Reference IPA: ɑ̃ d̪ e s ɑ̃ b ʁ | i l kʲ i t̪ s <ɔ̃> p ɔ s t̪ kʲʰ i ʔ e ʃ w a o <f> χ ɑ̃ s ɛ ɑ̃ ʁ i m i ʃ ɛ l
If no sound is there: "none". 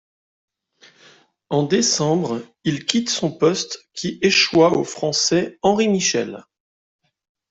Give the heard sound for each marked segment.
ɔ̃, f

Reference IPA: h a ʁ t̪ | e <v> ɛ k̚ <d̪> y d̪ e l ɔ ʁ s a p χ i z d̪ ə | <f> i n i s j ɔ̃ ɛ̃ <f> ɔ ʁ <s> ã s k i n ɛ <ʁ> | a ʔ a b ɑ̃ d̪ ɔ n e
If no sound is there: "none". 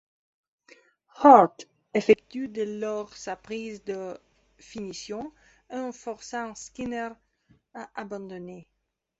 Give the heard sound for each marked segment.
f, t̪, f, f, s, ʁ

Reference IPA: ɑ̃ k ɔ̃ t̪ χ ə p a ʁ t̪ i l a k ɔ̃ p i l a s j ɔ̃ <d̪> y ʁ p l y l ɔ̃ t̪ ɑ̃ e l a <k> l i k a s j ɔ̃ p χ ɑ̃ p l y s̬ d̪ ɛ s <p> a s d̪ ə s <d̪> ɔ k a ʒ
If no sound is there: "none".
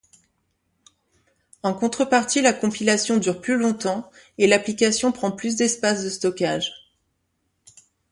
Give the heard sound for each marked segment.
d̪, p, p, t̪

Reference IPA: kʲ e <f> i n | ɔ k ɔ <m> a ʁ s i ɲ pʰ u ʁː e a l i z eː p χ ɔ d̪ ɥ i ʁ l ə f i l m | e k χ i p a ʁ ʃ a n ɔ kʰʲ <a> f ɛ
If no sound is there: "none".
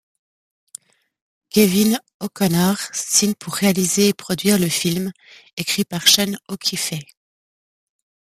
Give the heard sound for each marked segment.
v, n, i

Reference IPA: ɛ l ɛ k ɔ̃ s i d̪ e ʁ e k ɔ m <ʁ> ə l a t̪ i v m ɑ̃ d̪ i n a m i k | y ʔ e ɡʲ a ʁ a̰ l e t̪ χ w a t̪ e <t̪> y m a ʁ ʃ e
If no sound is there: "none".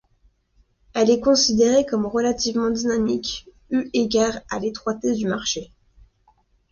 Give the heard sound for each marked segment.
ʁ, d̪

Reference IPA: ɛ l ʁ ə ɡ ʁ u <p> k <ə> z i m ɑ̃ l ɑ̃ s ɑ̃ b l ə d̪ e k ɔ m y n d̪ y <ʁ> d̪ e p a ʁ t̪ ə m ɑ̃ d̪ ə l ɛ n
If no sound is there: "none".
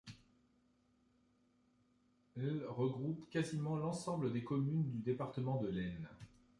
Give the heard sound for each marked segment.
p, a, none

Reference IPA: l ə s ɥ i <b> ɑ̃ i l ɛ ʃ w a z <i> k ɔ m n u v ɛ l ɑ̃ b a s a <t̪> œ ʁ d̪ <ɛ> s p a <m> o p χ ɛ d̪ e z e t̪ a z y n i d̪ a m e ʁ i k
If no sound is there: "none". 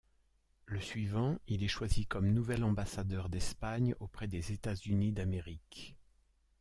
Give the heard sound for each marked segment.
v, i, d̪, ɛ, ɲ

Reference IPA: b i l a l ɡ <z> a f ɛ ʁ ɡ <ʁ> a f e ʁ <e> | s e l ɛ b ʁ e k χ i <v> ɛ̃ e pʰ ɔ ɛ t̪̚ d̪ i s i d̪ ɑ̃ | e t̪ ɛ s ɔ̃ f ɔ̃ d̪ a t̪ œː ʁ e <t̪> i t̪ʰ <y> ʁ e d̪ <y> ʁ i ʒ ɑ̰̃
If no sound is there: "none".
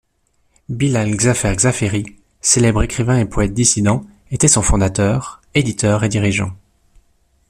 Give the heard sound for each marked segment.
z, z, i, v, d̪, œ, i

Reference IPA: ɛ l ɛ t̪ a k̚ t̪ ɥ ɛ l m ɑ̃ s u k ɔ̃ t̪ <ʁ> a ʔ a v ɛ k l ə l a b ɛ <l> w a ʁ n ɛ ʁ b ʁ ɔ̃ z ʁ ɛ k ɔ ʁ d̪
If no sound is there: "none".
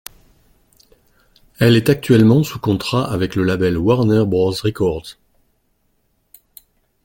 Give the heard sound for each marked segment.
χ, l

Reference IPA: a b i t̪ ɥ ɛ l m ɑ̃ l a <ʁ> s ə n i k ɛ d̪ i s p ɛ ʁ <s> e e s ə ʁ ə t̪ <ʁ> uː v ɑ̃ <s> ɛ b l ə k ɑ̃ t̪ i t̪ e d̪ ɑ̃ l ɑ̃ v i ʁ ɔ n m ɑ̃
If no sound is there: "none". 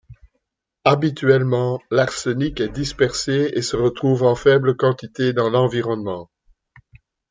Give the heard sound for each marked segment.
ʁ, s, χ, f

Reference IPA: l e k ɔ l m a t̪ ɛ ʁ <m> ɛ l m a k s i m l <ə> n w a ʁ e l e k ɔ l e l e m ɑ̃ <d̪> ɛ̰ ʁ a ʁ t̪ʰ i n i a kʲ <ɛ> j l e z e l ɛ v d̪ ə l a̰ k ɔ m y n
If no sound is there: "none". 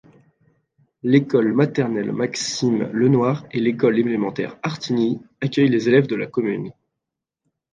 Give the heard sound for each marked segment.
n, ə, t̪, œ

